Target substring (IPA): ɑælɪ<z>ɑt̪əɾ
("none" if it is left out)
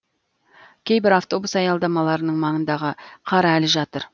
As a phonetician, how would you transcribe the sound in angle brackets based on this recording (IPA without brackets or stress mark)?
ʒ